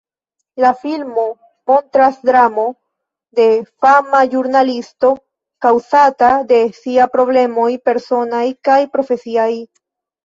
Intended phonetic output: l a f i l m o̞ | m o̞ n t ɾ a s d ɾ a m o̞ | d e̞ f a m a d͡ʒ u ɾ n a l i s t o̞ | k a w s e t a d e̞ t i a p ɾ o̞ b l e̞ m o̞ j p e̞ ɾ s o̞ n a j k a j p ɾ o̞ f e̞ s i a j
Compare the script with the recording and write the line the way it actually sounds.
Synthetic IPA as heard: l a f i l m o̞ | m o̞ n t ɾ a s d ɾ a m o̞ | d e̞ f a m a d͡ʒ u ɾ n a l i s t o̞ | k a w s a t a d e̞ s i a p ɾ o̞ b l e̞ m o̞ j p e̞ ɾ s o̞ n a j k a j p ɾ o̞ f e̞ s i a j